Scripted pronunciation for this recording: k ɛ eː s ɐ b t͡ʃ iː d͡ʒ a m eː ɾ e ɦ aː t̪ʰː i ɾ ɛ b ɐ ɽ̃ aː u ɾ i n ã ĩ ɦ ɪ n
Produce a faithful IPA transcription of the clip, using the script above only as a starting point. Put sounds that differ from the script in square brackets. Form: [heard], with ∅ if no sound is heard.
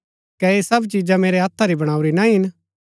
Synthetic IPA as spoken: k ɛ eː s ɐ b t͡ʃ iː d͡ʒ a m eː ɾ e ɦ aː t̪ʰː [a] ɾ [i] b ɐ ɽ̃ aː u ɾ i n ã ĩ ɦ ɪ n